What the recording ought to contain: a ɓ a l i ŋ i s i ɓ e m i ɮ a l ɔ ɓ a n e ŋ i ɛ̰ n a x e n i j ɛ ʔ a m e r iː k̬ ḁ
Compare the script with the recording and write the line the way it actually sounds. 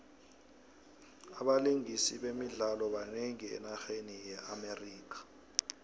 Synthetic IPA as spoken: a ɓ a l i ŋ i s i ɓ e m i ɮ a l ɔ ɓ a n e ŋ i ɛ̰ n a x e n i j ɛ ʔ a m e r iː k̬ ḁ